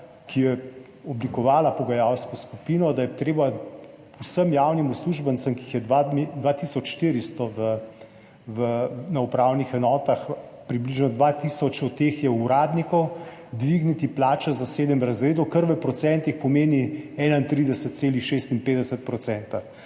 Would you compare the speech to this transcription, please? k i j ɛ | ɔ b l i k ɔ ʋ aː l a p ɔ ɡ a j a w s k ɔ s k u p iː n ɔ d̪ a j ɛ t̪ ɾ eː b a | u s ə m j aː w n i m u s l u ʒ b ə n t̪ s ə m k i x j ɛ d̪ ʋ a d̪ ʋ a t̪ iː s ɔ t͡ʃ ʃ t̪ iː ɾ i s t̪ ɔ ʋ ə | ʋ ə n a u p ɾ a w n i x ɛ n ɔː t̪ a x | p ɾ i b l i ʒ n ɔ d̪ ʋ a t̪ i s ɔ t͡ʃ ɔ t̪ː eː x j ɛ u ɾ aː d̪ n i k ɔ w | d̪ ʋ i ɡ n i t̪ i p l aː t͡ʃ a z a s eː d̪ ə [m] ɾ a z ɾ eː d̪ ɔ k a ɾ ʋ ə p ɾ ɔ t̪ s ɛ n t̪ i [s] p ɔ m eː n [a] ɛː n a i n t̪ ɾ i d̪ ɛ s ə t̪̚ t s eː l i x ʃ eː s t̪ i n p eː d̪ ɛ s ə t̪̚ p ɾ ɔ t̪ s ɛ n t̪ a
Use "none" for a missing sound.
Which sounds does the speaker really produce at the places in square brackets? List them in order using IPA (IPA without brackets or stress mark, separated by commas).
m, x, i